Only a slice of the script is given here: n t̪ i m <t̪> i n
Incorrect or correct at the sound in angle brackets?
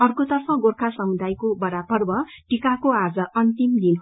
incorrect: d̪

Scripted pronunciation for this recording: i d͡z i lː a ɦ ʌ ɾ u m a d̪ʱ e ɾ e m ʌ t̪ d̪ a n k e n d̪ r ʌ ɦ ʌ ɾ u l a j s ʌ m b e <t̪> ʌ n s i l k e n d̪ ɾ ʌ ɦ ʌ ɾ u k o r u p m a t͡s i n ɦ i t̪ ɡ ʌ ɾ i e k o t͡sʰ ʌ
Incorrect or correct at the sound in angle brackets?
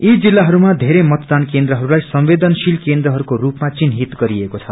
incorrect: d̪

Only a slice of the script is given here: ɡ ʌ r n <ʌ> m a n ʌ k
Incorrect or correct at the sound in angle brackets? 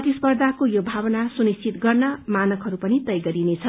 correct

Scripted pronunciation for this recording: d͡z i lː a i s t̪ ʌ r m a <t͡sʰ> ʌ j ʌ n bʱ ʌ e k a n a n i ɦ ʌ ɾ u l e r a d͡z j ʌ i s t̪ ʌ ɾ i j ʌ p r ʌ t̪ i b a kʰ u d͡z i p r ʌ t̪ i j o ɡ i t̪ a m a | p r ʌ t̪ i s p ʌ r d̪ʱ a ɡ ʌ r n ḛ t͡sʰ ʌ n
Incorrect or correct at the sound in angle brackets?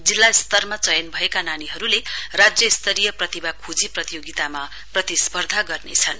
incorrect: t͡s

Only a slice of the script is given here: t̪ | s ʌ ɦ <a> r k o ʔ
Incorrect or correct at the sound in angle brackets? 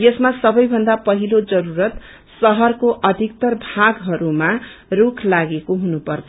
incorrect: ʌ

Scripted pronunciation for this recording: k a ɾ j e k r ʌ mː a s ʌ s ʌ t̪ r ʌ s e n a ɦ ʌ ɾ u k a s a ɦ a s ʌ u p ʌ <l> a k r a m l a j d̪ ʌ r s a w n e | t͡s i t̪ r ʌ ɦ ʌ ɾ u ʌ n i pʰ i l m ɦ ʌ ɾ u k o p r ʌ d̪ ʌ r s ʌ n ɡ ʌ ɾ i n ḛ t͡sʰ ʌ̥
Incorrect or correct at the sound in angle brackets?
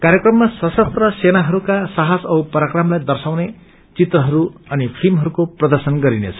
incorrect: ɾ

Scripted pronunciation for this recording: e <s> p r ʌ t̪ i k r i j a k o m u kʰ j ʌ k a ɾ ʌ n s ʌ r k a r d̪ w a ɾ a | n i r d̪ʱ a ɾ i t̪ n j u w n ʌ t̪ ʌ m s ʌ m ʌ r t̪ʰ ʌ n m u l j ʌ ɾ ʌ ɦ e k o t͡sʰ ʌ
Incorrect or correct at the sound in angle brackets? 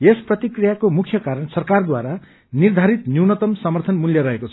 correct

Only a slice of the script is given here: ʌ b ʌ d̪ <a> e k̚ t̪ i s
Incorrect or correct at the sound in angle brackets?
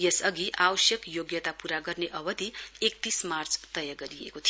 incorrect: i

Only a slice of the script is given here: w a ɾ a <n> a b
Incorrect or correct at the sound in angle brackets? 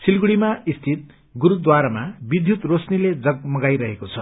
incorrect: m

